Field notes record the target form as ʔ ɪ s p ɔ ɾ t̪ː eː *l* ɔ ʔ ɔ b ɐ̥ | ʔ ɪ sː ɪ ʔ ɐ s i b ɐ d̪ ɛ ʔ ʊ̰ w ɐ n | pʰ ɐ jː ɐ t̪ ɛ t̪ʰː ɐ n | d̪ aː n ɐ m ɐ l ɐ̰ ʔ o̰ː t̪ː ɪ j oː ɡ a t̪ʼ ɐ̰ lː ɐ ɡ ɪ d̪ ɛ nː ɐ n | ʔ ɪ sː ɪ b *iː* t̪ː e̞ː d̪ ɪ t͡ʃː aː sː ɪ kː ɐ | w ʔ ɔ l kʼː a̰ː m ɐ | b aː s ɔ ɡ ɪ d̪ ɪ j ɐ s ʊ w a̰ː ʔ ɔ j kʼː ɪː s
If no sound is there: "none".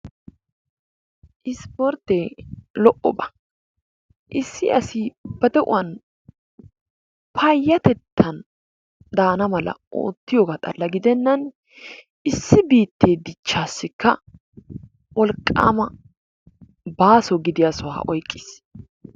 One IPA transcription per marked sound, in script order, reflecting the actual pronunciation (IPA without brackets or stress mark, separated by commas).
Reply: l, iː